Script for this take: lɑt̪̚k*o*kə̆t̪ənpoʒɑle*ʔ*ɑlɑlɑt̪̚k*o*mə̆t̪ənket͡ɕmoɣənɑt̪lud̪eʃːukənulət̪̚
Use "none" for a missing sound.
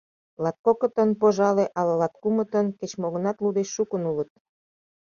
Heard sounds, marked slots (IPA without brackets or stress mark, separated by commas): o, ʔ, u